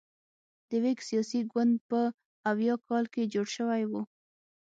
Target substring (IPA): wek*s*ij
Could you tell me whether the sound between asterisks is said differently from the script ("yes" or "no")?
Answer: no